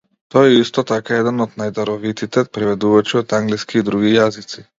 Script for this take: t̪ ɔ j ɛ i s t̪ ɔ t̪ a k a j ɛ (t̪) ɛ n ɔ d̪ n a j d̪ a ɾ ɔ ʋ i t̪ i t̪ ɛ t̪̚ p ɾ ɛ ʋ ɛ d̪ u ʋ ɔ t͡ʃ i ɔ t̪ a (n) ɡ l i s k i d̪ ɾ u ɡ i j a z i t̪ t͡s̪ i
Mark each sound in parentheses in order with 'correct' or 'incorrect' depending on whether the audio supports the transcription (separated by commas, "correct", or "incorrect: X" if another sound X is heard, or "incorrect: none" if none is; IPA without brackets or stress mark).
incorrect: d̪, incorrect: ŋ